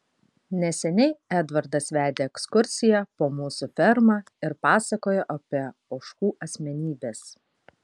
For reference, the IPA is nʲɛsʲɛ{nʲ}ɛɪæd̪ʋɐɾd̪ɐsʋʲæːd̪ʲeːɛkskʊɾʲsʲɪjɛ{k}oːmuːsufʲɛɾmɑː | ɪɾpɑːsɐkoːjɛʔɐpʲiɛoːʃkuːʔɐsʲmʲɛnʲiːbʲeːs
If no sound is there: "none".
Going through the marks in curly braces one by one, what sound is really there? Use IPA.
nʲ, p

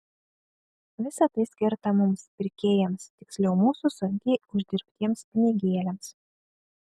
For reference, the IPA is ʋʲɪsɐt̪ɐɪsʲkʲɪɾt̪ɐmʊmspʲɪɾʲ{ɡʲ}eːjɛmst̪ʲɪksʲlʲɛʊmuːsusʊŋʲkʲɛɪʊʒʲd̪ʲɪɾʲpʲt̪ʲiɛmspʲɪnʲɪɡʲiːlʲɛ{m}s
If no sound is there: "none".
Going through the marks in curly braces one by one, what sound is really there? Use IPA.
kʲ, m

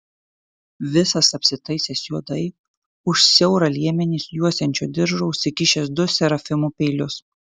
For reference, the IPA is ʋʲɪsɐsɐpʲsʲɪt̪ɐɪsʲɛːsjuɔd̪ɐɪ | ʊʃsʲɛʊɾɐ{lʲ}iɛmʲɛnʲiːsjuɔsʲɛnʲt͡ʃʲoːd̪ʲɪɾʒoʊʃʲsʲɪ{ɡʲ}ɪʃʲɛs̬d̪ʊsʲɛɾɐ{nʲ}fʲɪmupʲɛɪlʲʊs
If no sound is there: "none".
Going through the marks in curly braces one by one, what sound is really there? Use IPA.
lʲ, kʲ, none

